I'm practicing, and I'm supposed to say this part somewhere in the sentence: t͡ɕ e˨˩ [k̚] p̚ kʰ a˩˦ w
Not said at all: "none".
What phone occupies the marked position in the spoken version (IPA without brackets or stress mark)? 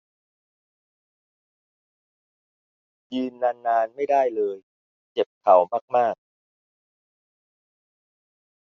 none